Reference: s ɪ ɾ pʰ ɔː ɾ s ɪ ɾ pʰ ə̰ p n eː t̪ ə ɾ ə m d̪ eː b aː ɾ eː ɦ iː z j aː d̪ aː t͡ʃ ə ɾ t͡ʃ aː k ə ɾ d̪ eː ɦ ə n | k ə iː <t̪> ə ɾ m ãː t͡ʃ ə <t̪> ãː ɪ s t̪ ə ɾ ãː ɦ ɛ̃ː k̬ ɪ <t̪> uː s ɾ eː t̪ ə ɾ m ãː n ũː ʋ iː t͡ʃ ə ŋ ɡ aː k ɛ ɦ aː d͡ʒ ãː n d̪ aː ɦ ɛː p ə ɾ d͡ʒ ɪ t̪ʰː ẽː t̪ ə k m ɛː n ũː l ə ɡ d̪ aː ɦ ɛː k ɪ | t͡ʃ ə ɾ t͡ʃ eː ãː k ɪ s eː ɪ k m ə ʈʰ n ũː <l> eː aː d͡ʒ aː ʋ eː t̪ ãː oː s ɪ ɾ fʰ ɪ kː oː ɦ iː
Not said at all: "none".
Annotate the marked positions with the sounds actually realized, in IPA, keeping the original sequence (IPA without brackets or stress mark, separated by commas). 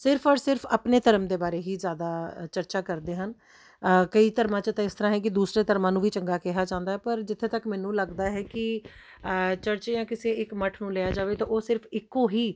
t̪, t̪, d̪, l